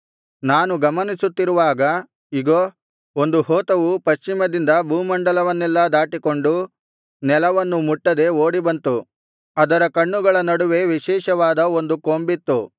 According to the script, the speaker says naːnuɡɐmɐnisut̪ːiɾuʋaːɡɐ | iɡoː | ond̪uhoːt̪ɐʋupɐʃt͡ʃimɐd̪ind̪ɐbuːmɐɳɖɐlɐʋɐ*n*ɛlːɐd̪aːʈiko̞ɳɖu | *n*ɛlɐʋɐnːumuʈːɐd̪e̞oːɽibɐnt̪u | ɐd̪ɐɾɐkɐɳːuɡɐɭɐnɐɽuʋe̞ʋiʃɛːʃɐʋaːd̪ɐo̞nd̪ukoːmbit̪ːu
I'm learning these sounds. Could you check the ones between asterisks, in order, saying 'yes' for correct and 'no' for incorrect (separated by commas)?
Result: no, yes